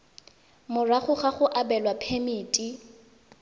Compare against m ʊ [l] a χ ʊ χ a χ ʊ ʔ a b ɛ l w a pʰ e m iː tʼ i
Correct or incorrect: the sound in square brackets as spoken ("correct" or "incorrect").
incorrect